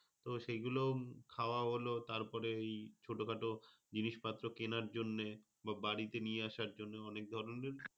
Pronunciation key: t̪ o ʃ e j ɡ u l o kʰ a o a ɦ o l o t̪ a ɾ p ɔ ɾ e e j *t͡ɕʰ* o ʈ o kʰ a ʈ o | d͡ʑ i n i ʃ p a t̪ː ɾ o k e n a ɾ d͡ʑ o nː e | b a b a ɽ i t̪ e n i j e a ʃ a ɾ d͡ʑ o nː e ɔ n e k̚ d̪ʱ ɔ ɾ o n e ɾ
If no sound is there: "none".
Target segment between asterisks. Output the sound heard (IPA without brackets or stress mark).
t͡ɕʰ